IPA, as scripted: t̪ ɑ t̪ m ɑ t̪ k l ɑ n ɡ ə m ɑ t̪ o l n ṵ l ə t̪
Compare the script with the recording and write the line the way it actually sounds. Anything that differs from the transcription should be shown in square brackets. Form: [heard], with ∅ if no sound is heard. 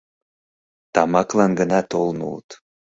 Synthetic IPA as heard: t̪ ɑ [∅] m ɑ [∅] k l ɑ n ɡ ə [n] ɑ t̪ o l n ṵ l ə t̪